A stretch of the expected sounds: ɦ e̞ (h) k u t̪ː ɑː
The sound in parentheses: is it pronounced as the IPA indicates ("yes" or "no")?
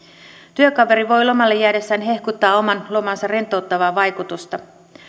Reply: yes